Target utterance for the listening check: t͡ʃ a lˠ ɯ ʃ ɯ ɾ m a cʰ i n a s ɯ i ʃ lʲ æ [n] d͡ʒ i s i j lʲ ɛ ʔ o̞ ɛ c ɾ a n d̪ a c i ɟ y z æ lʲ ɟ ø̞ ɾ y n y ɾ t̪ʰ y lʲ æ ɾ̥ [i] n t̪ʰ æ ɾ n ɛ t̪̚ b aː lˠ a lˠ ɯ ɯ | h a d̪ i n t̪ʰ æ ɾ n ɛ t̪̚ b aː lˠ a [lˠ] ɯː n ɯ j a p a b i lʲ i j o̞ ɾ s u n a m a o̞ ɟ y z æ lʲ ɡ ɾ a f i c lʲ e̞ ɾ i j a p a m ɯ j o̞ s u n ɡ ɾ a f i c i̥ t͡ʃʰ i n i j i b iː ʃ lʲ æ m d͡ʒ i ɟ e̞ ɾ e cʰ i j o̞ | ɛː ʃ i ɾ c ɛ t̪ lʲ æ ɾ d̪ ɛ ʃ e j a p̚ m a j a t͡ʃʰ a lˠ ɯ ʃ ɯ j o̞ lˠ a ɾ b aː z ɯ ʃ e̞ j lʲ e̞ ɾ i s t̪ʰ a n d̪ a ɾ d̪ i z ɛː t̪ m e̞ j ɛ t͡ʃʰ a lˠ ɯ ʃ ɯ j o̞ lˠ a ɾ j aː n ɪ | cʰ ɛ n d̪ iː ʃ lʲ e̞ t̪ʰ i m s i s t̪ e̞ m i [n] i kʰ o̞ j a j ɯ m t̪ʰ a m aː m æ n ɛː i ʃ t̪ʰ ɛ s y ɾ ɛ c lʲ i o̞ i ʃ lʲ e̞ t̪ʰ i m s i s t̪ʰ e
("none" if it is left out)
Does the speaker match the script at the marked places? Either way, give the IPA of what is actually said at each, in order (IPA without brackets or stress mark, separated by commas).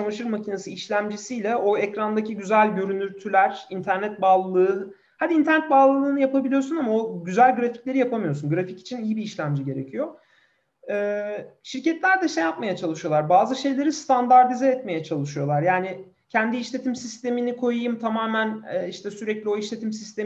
m, i, lˠ, n